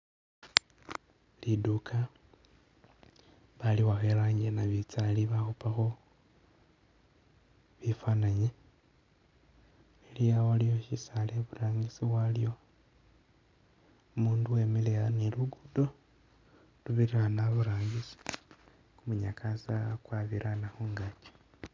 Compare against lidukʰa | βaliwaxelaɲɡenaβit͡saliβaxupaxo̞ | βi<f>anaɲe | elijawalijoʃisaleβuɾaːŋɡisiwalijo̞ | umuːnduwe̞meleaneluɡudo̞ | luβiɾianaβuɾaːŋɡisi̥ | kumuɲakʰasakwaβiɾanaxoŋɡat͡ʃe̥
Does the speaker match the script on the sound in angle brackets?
yes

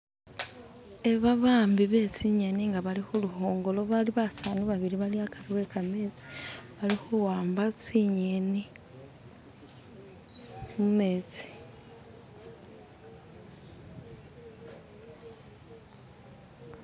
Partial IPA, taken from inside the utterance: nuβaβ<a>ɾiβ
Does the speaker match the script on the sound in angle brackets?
no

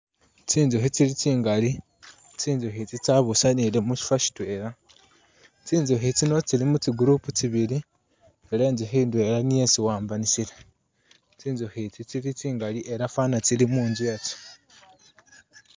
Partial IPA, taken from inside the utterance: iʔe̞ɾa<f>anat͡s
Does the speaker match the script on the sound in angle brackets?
yes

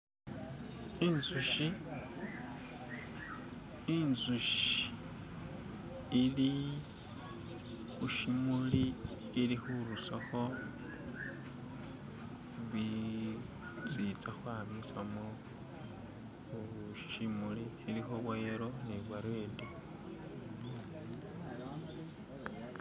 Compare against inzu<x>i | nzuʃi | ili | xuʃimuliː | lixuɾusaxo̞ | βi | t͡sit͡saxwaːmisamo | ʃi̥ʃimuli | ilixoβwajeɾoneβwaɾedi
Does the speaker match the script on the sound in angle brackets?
no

